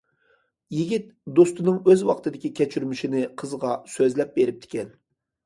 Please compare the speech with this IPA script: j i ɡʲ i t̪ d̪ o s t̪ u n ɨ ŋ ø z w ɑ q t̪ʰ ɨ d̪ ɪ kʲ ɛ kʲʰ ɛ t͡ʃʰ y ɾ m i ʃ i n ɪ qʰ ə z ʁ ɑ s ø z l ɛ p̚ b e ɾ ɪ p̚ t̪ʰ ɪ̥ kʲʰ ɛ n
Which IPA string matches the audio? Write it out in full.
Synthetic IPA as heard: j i ɡʲ i t̪ d̪ o s t̪ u n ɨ ŋ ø z w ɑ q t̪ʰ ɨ d̪ ɪ kʲ i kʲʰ ɛ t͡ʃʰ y ɾ m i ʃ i n ɪ qʰ ə z ʁ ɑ s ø z l ɛ p̚ b e ɾ ɪ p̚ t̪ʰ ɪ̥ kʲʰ ɛ n